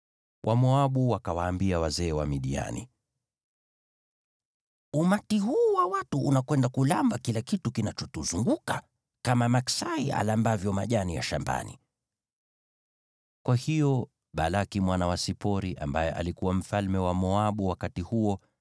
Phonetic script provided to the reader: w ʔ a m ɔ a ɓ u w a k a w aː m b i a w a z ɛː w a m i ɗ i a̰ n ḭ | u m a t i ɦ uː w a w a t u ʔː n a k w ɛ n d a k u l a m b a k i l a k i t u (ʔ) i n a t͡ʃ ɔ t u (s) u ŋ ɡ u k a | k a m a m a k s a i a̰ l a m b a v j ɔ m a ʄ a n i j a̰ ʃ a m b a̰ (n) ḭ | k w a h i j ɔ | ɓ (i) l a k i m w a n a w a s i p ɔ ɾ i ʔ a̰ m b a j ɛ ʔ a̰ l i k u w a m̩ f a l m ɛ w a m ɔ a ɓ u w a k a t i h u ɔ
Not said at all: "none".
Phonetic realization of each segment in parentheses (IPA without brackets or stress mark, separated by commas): k, z, n, a